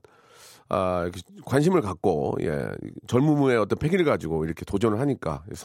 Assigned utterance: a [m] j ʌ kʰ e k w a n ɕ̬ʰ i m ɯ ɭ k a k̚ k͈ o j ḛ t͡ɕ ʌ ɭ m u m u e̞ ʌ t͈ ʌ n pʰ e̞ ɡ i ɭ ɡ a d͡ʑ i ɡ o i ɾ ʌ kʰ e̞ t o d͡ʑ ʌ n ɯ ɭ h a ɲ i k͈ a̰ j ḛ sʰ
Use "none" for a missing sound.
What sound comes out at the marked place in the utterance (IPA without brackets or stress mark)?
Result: none